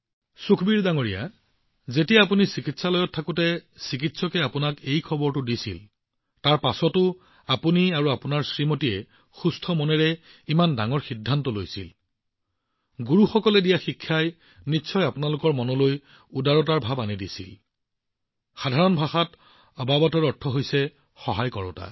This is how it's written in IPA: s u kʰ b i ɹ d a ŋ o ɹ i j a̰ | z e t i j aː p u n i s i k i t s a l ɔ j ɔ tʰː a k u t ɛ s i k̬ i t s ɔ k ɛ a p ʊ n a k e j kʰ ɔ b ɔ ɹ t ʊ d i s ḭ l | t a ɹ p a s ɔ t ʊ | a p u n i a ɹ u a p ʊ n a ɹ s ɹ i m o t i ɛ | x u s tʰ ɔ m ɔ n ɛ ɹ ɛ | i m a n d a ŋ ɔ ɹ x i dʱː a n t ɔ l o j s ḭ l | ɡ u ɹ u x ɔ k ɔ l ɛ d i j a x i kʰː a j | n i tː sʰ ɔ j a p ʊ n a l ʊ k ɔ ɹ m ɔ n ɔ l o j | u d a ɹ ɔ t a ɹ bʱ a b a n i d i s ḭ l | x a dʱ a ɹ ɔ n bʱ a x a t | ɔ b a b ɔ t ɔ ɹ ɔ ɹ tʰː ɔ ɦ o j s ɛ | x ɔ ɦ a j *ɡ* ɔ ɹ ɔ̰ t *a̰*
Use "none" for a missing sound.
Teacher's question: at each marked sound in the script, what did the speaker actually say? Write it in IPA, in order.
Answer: k, a̰

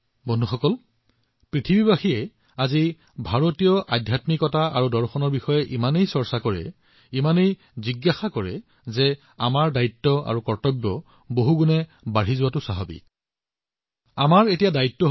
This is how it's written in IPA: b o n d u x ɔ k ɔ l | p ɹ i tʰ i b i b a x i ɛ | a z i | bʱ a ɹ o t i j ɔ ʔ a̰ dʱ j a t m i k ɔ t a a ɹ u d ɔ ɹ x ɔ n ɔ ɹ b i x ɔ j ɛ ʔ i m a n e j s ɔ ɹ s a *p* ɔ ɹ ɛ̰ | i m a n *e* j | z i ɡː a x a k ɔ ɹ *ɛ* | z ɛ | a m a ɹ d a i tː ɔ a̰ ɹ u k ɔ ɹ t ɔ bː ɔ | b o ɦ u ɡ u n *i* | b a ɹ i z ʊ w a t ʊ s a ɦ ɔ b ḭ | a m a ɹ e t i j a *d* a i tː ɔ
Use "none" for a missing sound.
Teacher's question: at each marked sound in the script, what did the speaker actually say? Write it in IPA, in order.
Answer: k, e, ɛ, ɛ, d

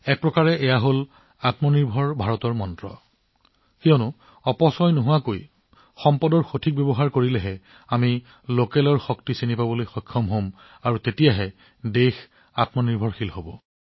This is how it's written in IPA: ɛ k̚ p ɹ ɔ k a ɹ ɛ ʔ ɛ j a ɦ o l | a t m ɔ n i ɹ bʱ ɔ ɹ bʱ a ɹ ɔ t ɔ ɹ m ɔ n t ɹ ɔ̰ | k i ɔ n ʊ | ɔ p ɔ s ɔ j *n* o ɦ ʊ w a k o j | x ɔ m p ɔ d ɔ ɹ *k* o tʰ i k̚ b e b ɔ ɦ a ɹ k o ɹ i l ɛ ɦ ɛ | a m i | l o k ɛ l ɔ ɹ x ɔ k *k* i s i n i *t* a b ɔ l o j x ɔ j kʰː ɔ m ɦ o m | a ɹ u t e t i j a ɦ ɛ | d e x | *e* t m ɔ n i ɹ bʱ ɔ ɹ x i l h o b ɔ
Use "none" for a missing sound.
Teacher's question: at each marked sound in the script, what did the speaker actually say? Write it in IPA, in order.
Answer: n, x, t, p, a

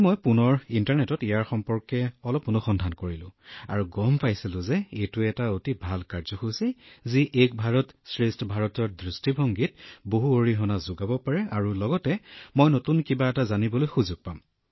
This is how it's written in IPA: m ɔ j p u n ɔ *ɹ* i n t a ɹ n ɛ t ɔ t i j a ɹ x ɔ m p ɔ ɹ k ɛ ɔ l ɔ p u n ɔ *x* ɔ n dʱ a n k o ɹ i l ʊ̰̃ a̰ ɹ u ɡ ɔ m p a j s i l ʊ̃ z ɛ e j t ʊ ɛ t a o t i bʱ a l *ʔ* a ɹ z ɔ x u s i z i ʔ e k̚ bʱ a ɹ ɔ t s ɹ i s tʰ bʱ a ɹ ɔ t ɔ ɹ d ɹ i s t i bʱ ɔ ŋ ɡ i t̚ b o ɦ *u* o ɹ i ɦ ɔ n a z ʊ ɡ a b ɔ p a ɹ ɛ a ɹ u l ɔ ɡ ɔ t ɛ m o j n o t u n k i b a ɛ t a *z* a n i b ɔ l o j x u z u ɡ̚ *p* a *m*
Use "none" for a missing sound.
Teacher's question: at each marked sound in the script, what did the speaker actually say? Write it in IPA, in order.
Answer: ɹ, x, k, u, z, p, m

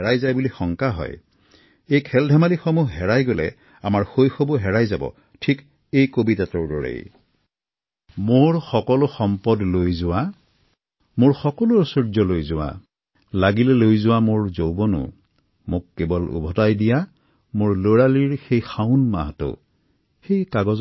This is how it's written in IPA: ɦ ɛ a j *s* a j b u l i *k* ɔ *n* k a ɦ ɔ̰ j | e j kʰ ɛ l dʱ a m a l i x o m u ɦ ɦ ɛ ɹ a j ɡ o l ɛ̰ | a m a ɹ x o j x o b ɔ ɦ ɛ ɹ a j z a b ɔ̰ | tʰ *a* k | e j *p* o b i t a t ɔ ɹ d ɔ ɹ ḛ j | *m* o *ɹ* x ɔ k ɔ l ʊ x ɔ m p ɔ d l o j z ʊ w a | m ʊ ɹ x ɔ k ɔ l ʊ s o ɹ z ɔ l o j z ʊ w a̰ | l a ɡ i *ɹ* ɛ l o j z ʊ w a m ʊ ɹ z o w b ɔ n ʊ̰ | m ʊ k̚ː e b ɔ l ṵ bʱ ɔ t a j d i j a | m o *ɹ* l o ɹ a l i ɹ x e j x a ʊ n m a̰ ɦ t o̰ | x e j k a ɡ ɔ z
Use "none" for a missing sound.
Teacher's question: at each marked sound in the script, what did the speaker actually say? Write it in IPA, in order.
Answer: z, x, ŋ, i, k, m, ɹ, l, ɹ

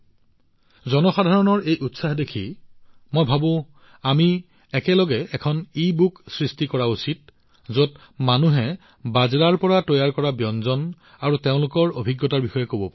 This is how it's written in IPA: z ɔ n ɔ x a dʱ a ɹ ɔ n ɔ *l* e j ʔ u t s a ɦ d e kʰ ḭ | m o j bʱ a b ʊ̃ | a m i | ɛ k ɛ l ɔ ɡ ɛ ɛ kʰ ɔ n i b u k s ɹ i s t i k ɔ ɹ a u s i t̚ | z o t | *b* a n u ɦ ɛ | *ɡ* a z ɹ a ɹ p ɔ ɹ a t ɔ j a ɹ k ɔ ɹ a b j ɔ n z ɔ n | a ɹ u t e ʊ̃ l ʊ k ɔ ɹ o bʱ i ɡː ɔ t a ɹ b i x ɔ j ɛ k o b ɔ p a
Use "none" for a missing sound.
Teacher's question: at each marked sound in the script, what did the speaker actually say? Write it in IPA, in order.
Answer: ɹ, m, b

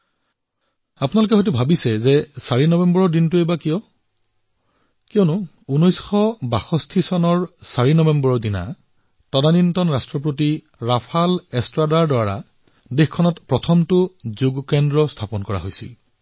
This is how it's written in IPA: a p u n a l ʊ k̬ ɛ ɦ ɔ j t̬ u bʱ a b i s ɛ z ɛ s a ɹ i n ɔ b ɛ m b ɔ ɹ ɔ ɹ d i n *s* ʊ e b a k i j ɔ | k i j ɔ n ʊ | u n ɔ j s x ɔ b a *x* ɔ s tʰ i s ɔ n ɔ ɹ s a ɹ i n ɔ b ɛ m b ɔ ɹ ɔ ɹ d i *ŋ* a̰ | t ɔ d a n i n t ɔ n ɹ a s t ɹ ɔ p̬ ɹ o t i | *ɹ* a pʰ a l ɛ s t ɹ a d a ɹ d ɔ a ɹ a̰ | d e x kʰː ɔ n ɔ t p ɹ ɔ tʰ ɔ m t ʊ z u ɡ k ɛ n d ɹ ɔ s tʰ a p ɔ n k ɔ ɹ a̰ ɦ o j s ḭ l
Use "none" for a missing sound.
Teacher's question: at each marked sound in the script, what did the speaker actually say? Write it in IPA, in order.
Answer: t, x, n, ɹ

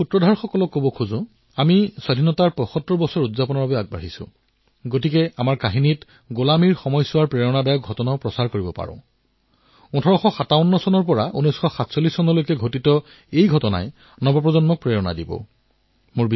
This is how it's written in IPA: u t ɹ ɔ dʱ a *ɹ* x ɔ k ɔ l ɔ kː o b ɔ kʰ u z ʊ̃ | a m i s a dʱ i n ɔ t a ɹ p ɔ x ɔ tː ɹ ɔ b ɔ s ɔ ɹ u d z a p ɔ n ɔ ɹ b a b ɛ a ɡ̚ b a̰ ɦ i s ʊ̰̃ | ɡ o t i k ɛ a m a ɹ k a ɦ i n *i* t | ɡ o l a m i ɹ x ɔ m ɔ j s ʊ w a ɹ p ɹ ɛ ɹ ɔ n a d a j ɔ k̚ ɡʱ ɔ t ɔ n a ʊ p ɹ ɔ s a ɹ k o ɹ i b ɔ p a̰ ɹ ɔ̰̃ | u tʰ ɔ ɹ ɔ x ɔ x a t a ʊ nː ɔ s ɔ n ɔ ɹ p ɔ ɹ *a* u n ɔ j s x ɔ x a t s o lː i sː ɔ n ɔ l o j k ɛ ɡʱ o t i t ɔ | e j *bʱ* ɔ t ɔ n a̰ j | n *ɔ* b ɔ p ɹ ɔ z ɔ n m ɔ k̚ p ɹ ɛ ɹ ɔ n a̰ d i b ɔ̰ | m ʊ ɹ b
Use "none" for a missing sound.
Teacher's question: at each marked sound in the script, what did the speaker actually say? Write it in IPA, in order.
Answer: ɹ, i, a, ɡʱ, ɔ

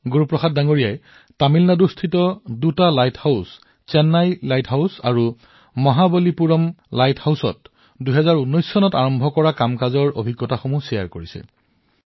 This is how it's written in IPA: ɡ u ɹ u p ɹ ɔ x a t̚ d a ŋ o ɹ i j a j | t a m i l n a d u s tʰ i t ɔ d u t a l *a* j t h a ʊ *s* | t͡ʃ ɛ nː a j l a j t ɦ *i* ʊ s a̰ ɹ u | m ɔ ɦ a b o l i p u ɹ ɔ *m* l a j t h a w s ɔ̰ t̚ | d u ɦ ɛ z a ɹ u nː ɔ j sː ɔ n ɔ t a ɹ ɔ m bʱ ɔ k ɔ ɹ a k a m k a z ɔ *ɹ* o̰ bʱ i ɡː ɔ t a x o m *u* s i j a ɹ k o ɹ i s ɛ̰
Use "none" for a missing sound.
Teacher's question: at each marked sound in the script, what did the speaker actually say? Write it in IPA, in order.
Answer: a, s, a, m, ɹ, u

